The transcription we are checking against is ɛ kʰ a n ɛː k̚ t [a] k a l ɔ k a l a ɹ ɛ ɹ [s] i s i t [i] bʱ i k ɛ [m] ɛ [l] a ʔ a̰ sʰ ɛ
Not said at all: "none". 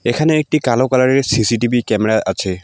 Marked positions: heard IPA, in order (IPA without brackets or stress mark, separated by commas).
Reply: i, s, i, m, ɹ